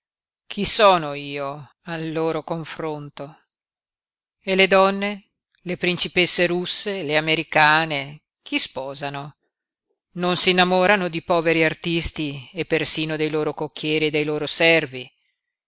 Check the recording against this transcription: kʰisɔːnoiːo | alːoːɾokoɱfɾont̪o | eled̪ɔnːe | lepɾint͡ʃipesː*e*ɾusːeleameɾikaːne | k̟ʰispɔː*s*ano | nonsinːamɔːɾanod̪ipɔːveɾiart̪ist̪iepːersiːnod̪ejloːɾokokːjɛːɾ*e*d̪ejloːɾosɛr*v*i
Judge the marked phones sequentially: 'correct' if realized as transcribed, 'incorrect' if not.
correct, incorrect, incorrect, correct

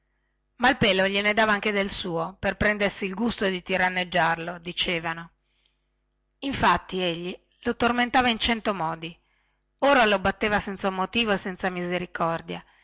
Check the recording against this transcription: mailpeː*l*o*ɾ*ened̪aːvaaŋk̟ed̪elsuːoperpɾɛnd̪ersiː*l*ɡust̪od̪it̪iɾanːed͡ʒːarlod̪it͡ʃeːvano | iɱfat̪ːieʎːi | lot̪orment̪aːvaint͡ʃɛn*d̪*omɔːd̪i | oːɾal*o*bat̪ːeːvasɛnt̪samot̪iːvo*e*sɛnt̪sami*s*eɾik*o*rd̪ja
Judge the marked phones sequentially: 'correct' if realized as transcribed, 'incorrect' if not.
correct, incorrect, correct, incorrect, correct, correct, incorrect, incorrect

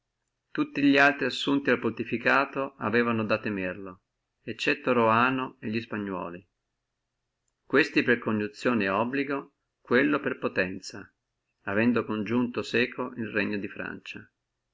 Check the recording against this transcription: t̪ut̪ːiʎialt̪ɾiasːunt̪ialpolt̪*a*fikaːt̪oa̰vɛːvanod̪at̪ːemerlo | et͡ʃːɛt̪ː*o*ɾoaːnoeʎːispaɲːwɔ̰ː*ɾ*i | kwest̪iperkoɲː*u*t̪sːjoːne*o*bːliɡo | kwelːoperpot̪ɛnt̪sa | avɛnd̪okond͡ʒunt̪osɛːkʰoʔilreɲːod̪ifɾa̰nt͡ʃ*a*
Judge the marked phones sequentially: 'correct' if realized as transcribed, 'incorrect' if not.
incorrect, correct, incorrect, correct, incorrect, correct

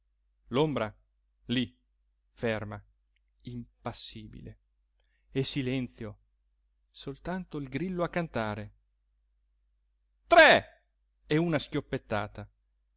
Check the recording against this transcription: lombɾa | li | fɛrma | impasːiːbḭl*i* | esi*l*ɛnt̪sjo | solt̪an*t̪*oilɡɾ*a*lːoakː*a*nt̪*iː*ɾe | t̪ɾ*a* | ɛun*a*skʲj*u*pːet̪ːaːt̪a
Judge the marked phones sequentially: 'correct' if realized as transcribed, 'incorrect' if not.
incorrect, correct, correct, incorrect, correct, incorrect, incorrect, correct, incorrect

